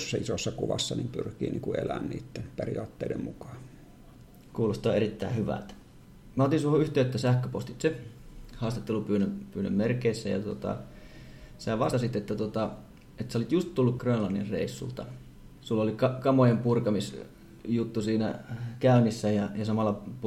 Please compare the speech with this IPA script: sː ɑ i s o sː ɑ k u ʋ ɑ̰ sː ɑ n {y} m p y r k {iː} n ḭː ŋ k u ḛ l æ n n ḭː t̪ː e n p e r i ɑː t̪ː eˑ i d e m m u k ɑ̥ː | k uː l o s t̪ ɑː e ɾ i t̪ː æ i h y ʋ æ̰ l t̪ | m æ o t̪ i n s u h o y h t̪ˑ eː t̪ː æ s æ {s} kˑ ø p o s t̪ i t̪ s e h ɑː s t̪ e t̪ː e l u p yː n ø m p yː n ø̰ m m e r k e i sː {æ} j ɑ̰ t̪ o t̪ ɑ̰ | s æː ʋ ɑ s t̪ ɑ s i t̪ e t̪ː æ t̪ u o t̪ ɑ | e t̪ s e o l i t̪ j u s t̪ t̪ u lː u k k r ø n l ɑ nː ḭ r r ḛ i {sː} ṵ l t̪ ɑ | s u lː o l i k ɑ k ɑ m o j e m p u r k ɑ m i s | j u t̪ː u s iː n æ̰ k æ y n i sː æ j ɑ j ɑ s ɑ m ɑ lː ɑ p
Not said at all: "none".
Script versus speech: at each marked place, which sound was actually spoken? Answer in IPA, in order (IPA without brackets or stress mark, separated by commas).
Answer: i, iː, h, æ, sː